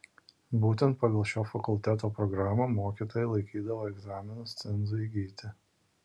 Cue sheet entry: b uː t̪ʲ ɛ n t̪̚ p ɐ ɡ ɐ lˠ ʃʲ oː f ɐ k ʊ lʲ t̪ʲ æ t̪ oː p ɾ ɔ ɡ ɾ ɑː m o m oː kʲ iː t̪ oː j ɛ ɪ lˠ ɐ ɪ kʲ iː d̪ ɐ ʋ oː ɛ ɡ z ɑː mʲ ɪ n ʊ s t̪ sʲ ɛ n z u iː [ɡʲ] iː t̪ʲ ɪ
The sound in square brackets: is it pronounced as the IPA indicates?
yes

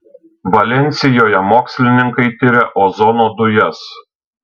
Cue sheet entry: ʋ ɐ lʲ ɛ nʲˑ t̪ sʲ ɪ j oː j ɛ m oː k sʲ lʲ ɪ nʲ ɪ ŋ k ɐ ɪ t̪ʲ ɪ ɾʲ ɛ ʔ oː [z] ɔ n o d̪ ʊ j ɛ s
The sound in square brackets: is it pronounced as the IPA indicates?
yes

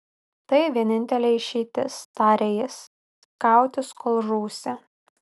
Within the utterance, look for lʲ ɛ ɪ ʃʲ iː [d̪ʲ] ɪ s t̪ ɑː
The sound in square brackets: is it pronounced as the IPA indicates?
no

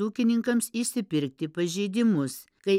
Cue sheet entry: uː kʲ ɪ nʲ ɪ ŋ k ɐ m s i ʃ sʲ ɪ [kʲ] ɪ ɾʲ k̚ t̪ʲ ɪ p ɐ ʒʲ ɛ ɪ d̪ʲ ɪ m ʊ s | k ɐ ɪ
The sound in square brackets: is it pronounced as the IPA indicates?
no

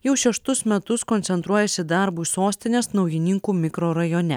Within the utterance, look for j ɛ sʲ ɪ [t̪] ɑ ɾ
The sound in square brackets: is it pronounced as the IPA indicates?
no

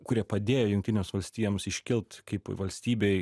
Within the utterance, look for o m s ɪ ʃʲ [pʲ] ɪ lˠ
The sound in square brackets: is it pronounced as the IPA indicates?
no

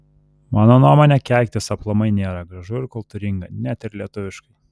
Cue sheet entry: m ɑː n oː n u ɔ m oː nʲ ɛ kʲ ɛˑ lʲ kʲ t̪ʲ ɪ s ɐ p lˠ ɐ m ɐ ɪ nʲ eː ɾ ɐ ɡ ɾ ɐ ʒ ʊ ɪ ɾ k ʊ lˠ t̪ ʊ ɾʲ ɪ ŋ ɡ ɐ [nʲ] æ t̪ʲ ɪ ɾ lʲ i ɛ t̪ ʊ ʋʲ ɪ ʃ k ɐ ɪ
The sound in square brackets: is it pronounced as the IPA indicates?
yes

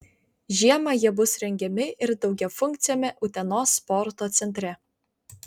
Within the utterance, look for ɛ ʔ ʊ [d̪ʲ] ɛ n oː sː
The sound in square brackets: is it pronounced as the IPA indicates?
no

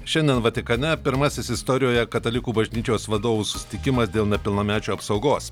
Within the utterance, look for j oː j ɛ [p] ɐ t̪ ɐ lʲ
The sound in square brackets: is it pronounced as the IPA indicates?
no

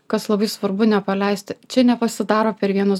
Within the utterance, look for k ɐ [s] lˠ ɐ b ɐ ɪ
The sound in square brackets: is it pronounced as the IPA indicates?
yes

